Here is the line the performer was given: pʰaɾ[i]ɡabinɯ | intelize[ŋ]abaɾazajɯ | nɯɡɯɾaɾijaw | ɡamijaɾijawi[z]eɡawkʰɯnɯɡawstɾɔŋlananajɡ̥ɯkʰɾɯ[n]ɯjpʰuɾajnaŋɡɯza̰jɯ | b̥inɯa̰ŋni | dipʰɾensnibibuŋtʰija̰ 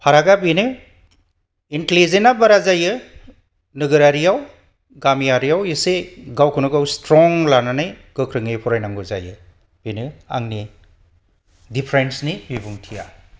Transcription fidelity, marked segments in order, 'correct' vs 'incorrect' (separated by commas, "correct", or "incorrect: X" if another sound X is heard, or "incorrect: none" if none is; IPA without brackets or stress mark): incorrect: a, incorrect: n, incorrect: s, incorrect: ŋ